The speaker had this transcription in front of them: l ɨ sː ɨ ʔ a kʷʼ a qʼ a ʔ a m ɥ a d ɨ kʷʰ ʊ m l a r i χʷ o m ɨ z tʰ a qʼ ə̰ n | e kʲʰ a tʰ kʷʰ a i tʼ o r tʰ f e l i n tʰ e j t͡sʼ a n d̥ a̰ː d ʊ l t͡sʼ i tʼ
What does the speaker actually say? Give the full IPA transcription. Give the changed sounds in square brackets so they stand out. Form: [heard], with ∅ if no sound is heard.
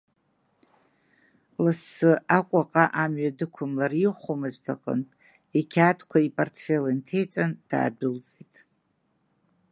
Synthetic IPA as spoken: l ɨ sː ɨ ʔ a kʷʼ a qʼ a ʔ a m ɥ a d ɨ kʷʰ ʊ m l a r i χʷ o m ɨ z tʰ a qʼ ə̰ n | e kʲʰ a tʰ kʷʰ a i [pʼ] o r tʰ f e l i n tʰ e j t͡sʼ a n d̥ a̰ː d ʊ l t͡sʼ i tʼ